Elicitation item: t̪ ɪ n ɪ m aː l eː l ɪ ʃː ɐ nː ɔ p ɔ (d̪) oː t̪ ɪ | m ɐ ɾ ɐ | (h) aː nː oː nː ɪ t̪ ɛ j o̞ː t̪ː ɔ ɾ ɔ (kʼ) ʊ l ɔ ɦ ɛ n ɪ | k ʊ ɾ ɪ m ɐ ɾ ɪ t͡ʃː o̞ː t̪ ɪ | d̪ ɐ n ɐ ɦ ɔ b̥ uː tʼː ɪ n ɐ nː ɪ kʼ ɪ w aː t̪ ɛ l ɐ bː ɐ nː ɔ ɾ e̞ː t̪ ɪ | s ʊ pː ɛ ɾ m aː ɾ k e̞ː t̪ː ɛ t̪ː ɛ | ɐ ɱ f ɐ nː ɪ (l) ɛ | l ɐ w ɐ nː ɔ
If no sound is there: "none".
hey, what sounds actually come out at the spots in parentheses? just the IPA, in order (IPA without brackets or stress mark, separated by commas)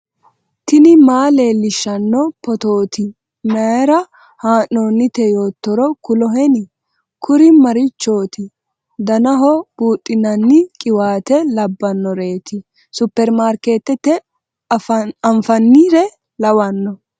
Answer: t̪, h, k, ɾ